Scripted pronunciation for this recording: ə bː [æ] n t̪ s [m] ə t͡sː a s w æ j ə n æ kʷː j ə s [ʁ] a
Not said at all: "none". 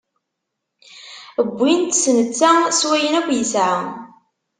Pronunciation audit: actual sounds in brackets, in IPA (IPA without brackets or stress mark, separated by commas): i, n, ʕ